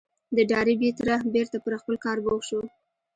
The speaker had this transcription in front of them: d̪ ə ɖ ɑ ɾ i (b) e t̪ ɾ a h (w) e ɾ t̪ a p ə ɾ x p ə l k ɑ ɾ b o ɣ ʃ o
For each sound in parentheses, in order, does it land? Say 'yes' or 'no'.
yes, no

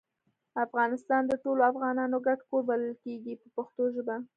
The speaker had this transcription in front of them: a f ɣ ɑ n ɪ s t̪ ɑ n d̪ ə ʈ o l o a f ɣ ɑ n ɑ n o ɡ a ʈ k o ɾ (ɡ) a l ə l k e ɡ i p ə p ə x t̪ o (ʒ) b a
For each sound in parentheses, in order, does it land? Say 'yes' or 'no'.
no, yes

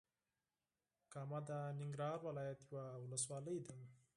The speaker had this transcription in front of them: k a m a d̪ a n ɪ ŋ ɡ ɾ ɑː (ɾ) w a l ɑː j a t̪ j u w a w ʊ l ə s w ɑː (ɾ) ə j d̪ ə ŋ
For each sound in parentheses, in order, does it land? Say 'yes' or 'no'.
yes, no

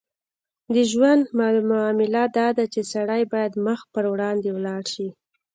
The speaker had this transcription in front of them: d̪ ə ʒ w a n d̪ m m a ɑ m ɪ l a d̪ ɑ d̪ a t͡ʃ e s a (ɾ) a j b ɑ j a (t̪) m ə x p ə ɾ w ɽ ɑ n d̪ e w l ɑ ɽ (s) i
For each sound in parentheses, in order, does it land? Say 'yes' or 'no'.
no, no, no

